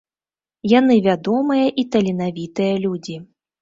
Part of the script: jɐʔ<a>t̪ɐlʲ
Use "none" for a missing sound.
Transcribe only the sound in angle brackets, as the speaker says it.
i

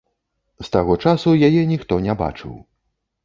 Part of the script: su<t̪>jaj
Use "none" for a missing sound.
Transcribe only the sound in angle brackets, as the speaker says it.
none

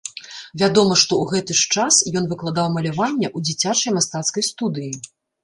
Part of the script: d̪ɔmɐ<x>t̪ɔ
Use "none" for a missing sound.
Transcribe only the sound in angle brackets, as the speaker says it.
ʂ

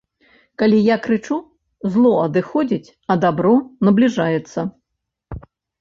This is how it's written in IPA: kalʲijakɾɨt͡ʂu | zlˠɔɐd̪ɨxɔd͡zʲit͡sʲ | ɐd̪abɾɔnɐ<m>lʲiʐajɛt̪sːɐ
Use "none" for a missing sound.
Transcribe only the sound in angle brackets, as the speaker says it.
b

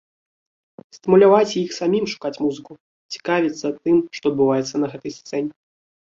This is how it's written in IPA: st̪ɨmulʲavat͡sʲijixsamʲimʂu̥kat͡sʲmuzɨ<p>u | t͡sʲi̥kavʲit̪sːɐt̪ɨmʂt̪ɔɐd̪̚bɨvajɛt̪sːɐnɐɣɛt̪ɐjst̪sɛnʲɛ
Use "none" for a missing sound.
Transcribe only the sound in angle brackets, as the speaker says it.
k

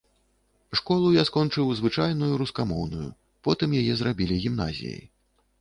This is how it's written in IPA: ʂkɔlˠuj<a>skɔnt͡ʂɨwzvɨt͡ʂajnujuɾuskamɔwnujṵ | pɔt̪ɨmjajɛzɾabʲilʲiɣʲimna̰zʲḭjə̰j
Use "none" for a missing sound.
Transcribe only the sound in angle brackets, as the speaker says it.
a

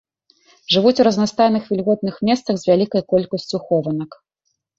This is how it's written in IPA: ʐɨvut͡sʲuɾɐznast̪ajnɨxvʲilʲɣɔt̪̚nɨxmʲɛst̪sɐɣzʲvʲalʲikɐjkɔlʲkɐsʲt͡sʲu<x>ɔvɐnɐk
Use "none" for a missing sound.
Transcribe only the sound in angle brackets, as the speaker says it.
x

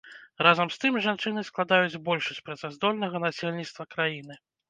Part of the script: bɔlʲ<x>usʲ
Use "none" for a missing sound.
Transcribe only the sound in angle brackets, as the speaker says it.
ʂ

